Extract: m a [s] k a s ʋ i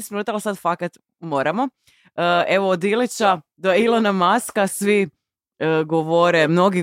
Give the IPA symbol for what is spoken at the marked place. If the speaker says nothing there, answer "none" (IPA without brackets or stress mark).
s